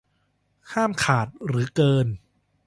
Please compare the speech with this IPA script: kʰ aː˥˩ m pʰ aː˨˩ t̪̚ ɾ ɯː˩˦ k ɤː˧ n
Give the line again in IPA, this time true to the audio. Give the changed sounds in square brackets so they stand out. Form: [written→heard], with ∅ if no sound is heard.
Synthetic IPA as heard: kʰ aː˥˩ m [pʰ→kʰ] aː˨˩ t̪̚ ɾ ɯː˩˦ k ɤː˧ n

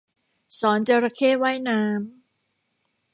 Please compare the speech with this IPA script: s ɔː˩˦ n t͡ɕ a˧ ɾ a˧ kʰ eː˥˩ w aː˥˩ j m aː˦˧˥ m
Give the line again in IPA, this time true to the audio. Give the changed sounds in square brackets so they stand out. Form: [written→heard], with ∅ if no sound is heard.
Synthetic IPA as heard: s ɔː˩˦ n t͡ɕ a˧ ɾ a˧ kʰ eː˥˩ w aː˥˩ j [m→n] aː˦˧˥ m

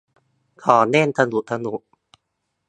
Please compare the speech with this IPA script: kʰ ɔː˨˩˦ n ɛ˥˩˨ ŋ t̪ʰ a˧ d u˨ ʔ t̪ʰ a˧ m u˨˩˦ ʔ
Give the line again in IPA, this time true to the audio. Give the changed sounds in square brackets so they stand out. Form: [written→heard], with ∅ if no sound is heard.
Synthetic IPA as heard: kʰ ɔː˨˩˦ n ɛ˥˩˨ [ŋ→n] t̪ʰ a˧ [d→n] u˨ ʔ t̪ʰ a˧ [m→n] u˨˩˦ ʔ

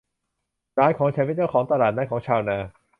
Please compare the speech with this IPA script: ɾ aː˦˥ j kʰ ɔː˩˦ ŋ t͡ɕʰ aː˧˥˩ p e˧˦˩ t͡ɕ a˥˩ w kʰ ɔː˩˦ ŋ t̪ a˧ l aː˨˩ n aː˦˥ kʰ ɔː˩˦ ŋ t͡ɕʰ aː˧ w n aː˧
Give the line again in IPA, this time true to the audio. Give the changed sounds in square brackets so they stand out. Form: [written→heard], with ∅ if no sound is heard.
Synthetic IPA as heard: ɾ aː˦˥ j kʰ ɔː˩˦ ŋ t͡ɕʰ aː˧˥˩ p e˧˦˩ t͡ɕ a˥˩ w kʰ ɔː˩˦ ŋ t̪ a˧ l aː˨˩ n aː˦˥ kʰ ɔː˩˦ ŋ t͡ɕʰ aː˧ w n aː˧

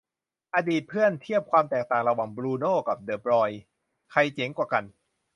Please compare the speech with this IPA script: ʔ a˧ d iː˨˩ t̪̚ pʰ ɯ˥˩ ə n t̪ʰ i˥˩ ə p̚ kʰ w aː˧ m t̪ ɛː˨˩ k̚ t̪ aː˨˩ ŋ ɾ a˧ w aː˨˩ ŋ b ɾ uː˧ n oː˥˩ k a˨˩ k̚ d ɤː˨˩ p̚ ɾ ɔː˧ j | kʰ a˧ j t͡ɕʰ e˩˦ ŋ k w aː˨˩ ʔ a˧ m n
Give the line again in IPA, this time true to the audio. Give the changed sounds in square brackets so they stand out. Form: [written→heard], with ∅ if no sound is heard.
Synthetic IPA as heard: ʔ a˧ d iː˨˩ t̪̚ pʰ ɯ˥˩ ə n t̪ʰ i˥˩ ə p̚ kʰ w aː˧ m t̪ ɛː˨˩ k̚ t̪ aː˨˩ ŋ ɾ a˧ w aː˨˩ ŋ b ɾ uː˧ n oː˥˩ k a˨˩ [k̚→p̚] d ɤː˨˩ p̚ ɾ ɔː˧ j | kʰ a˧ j [t͡ɕʰ→t͡ɕ] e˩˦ ŋ k w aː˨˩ [ʔ→k] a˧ [m→∅] n

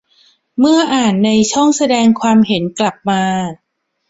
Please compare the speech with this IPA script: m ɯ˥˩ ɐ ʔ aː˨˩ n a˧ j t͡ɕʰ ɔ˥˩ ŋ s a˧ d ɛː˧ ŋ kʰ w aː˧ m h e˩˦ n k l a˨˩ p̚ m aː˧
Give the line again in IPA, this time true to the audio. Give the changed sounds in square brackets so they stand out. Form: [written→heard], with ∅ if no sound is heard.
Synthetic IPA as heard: m ɯ˥˩ ɐ ʔ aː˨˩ [n→nː] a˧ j t͡ɕʰ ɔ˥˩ ŋ s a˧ d ɛː˧ ŋ kʰ w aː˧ m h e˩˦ n k l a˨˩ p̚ m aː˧

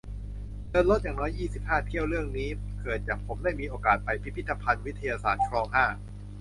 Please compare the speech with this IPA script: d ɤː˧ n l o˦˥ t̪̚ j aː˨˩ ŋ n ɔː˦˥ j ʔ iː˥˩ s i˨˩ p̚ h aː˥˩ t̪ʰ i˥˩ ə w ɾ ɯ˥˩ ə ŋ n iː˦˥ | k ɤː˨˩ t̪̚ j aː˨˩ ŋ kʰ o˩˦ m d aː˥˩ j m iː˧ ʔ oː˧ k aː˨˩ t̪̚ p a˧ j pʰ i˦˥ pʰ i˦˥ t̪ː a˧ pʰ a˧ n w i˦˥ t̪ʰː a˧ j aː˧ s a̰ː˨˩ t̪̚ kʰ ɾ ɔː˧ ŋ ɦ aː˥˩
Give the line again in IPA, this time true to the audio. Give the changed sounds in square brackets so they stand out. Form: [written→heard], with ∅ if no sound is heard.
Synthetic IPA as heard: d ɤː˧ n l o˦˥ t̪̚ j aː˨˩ ŋ n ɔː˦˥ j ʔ iː˥˩ s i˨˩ p̚ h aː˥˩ t̪ʰ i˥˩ ə w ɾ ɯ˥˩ ə ŋ n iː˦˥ | k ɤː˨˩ t̪̚ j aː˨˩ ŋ [kʰ→pʰ] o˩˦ m d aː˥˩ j m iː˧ ʔ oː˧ k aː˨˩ t̪̚ p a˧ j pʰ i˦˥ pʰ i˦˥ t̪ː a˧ pʰ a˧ n w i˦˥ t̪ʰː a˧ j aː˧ s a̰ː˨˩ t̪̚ kʰ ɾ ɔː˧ ŋ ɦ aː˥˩

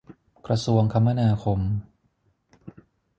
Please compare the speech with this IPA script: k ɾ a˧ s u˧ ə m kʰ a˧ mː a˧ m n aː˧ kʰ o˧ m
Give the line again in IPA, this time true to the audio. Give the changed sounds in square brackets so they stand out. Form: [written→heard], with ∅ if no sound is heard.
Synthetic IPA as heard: k ɾ a˧ s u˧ ə [m→ŋ] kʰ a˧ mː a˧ [m→∅] n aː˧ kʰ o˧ m

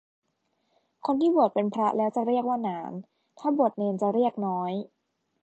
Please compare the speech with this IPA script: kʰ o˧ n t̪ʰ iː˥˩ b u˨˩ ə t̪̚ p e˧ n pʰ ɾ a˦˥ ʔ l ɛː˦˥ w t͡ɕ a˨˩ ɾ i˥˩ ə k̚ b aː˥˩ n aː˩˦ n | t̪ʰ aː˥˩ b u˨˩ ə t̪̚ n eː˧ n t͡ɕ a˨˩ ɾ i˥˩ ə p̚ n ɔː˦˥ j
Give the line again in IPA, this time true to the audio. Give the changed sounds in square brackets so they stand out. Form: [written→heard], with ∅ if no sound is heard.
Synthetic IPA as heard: kʰ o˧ n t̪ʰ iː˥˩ b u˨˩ ə t̪̚ p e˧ n pʰ ɾ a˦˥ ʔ l ɛː˦˥ w t͡ɕ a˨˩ ɾ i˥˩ ə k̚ [b→w] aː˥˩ n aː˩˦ n | t̪ʰ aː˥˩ b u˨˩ ə t̪̚ n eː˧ n t͡ɕ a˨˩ ɾ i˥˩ ə [p̚→k̚] n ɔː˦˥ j

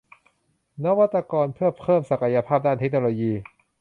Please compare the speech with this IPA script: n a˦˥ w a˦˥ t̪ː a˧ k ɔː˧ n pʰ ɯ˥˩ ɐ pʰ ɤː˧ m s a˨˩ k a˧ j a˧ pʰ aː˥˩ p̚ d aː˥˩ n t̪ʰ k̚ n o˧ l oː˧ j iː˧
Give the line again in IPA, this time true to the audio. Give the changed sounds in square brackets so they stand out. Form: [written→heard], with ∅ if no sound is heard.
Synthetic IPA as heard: n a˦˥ w a˦˥ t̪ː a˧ k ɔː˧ n pʰ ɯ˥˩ ɐ pʰ [ɤː˧→ɤː˥˩] m s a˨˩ k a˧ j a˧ pʰ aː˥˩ p̚ d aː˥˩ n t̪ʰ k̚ n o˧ l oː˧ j iː˧

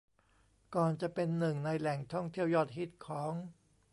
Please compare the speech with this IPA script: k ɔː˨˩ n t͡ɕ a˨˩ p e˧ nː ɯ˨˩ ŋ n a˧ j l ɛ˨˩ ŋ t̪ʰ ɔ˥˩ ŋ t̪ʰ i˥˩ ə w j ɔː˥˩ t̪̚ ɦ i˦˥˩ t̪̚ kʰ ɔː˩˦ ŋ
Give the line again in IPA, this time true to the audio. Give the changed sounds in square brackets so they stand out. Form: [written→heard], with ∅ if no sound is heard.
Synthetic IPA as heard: k ɔː˨˩ n t͡ɕ a˨˩ p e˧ nː ɯ˨˩ ŋ n a˧ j l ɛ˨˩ ŋ t̪ʰ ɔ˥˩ ŋ t̪ʰ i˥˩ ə w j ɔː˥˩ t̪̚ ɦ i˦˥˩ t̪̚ kʰ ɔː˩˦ ŋ

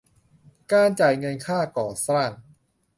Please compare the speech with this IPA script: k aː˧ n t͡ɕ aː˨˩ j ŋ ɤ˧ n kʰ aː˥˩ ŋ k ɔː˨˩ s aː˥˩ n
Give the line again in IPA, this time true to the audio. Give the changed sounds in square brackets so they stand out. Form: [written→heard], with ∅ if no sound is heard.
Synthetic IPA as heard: k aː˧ n t͡ɕ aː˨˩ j ŋ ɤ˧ n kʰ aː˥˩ [ŋ→∅] k ɔː˨˩ s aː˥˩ n

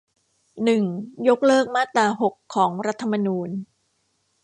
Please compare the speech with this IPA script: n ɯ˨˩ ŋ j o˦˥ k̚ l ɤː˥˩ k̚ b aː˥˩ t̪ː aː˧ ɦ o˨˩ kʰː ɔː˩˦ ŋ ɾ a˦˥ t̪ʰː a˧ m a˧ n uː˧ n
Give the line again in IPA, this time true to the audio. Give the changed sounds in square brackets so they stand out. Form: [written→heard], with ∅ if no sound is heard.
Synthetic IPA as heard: n ɯ˨˩ ŋ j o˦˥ k̚ l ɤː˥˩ k̚ [b→m] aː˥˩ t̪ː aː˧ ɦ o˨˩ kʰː ɔː˩˦ ŋ ɾ a˦˥ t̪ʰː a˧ m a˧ n uː˧ n

